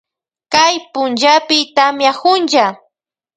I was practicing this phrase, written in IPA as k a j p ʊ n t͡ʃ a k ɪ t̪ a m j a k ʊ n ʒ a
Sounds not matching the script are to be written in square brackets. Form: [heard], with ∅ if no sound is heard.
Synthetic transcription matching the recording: k a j p ʊ n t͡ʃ a [p] ɪ t̪ a m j a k ʊ n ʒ a